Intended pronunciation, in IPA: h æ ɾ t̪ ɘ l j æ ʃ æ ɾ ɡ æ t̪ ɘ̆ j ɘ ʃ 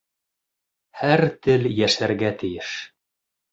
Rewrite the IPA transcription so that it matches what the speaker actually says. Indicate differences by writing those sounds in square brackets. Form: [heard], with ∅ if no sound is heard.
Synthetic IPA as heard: h æ ɾ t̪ ɘ l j æ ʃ æ ɾ ɡ æ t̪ ɘ̆ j ɘ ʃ